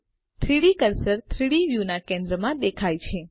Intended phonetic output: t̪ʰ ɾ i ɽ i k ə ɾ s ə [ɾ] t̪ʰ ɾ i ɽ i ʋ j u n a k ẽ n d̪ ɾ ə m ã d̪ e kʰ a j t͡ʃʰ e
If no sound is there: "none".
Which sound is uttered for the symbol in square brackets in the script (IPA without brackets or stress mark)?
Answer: ɾ